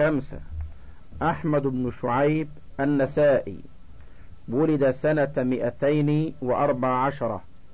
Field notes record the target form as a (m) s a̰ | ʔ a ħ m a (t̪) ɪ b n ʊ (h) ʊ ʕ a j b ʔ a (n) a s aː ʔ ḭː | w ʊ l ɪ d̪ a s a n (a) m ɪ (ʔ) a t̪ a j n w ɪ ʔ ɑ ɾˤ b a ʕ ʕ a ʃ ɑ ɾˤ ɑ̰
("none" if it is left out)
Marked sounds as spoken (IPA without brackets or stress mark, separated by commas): m, d̪, ʃ, nː, a, ʔ